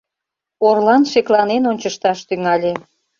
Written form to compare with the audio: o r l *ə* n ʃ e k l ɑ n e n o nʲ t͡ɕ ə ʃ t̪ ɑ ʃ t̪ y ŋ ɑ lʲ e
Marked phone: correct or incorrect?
incorrect: ɑ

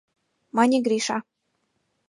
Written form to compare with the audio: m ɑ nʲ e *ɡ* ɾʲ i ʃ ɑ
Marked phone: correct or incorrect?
correct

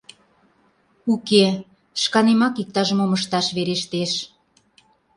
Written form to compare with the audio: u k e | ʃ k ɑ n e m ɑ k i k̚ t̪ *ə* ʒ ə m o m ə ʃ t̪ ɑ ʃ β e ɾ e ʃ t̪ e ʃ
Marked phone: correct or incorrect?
incorrect: ɑ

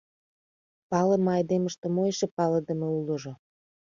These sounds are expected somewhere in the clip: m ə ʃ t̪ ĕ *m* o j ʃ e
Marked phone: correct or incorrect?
correct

